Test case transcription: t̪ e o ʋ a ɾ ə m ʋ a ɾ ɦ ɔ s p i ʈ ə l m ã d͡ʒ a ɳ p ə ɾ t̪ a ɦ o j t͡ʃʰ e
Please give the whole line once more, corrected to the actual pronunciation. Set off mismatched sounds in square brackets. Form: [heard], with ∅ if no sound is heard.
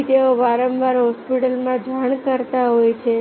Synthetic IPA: t̪ e o ʋ a ɾ ə m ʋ a ɾ ɦ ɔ s p i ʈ ə l m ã d͡ʒ a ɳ [k] ə ɾ t̪ a ɦ o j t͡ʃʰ e